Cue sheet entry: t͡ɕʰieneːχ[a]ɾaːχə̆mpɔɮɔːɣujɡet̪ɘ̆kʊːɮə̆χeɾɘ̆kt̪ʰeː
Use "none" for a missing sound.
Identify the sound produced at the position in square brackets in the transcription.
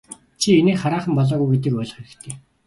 a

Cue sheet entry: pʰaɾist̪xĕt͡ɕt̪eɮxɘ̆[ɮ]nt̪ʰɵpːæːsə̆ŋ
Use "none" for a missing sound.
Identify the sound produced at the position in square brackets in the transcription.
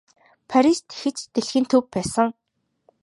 none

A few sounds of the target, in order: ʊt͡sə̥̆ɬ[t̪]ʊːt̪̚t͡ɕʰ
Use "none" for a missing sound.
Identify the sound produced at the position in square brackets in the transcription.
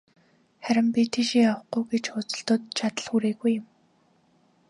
t̪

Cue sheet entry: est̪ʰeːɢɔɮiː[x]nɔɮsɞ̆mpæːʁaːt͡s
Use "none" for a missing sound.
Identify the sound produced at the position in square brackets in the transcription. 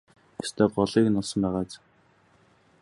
k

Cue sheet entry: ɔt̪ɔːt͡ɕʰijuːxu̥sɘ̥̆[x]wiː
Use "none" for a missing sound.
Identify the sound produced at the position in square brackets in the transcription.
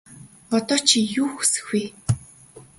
x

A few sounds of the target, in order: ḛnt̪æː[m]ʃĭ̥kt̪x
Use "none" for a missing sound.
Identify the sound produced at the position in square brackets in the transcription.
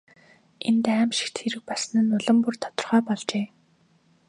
m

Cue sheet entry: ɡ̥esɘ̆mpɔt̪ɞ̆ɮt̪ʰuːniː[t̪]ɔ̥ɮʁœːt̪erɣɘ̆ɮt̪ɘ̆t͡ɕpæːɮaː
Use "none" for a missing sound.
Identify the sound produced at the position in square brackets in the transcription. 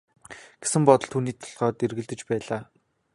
t̪ʰ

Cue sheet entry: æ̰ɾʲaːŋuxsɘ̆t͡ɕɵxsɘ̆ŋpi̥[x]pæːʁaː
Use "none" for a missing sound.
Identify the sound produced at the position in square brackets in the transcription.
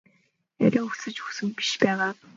ʃ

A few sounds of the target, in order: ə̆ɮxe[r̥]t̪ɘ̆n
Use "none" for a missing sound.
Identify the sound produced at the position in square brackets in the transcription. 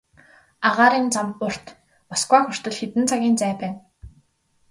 none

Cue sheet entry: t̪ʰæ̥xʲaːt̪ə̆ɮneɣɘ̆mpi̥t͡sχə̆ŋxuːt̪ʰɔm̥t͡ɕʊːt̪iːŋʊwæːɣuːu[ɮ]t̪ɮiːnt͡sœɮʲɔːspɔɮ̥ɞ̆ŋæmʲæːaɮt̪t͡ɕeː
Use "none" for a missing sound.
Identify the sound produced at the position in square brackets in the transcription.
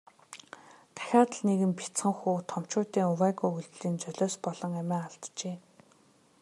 ɮ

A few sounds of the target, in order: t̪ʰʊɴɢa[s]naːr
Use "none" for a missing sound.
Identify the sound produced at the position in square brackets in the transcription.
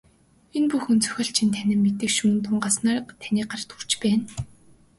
s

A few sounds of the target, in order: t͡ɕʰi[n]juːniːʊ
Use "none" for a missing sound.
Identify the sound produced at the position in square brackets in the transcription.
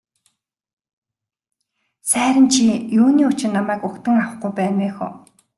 none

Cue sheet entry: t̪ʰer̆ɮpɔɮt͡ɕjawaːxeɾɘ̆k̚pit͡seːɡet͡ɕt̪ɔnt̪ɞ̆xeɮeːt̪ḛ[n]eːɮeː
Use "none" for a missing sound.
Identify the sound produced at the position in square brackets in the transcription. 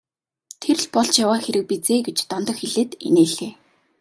n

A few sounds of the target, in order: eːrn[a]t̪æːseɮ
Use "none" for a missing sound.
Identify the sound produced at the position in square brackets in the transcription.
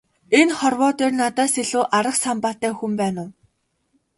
a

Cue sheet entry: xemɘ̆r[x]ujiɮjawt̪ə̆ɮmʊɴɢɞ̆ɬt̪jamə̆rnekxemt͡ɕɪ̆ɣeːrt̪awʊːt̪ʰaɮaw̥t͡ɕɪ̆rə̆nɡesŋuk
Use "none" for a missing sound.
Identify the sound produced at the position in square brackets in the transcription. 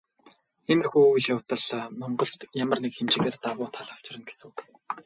x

